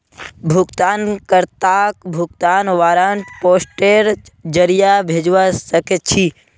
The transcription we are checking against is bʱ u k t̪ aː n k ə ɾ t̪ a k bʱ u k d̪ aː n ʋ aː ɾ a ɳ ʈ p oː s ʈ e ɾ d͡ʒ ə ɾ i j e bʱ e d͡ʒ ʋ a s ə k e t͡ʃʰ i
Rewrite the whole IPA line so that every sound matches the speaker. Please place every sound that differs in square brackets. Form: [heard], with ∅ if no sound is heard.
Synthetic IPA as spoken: bʱ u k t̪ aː n k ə ɾ t̪ a k bʱ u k [t̪] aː n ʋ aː ɾ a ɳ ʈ p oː s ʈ e ɾ d͡ʒ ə ɾ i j [a] bʱ e d͡ʒ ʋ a s ə k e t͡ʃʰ i

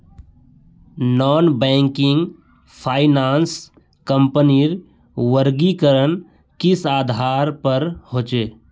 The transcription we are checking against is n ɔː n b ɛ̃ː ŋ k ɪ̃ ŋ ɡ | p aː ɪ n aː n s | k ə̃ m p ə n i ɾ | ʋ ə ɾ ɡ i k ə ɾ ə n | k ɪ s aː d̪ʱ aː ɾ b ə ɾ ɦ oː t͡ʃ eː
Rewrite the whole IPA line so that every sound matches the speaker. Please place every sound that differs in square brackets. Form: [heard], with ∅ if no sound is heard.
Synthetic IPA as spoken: n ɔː n b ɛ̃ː ŋ k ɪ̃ ŋ ɡ | [pʰ] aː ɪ n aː n s | k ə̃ m p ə n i ɾ | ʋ ə ɾ ɡ i k ə ɾ ə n | k ɪ s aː d̪ʱ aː ɾ [p] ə ɾ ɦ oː t͡ʃ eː

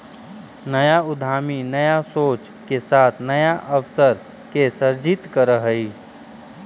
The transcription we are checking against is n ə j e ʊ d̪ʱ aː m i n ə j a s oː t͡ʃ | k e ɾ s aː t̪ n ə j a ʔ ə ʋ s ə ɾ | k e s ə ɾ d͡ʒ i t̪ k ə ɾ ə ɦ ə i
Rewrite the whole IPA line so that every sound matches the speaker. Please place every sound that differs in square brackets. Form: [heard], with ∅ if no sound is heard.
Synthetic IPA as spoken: n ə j [a] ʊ d̪ʱ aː m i n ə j a s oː t͡ʃ | k e [∅] s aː [t̪ʰ] n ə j a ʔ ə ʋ s ə ɾ | k e s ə ɾ d͡ʒ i t̪ k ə ɾ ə ɦ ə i

